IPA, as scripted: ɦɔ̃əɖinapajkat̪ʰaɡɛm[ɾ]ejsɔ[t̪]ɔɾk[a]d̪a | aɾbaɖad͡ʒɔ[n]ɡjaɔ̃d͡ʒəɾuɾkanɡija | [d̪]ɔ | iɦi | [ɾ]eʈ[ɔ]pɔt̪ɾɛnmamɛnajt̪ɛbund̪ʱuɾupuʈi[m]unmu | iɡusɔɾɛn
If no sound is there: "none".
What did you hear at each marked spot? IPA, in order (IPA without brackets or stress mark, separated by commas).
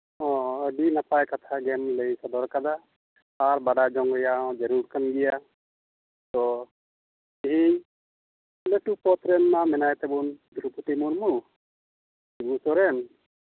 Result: l, d̪, a, ŋ, t̪, l, u, m